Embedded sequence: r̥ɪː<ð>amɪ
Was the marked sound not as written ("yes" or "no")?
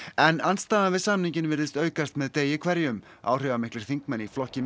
yes